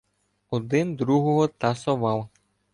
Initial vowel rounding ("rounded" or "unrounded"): rounded